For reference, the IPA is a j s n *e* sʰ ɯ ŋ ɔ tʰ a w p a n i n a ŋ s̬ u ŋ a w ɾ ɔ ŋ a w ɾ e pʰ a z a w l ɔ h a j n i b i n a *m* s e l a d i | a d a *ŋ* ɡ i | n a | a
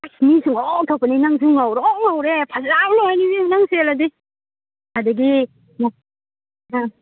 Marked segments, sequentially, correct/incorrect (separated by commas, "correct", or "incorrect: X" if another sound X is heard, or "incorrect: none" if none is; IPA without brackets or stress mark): incorrect: i, incorrect: ŋ, incorrect: none